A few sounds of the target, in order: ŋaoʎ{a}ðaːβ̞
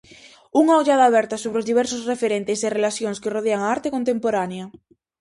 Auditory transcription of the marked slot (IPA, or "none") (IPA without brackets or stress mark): a